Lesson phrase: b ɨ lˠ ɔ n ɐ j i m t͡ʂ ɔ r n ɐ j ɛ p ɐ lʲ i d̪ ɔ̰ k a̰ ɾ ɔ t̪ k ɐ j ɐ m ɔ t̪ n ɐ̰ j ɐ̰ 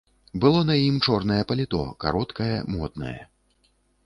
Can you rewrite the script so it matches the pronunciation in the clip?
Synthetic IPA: b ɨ lˠ ɔ n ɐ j i m t͡ʂ ɔ r n ɐ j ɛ p ɐ lʲ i t̪ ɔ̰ k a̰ ɾ ɔ t̪ k ɐ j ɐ m ɔ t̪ n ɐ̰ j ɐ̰